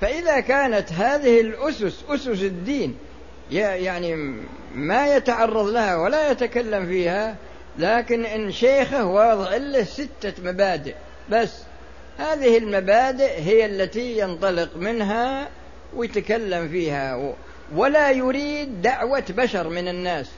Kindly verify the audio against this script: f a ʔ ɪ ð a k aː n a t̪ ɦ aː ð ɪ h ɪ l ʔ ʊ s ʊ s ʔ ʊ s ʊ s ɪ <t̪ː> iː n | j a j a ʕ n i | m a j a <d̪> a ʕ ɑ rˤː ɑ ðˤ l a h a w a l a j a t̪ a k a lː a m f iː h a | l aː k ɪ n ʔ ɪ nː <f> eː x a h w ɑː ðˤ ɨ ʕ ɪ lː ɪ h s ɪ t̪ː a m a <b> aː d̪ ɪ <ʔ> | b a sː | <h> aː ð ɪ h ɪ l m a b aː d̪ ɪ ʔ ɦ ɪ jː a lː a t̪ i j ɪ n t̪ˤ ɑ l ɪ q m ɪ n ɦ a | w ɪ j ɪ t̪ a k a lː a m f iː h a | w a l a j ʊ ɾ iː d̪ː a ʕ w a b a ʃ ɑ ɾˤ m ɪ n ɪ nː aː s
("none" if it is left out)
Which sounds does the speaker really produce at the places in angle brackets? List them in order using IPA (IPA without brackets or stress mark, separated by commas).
d̪ː, t̪, ʃ, b, ʔ, h